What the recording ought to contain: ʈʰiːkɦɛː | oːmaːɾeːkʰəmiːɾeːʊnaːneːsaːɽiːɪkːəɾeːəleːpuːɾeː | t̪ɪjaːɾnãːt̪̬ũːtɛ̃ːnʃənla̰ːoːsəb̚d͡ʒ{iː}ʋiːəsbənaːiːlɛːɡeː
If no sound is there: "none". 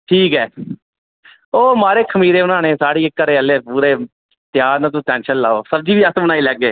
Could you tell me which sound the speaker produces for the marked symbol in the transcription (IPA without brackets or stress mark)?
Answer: iː